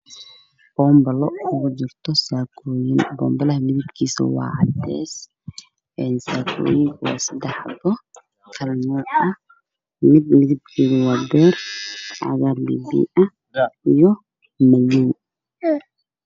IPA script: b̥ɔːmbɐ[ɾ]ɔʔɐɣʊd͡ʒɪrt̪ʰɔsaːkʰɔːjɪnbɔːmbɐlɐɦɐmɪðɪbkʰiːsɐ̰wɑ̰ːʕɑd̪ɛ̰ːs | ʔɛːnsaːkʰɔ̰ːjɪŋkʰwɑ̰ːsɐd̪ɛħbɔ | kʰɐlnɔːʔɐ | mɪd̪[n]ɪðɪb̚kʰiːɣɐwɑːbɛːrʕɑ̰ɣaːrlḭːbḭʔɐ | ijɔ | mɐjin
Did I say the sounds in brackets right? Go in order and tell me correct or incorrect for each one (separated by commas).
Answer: incorrect, incorrect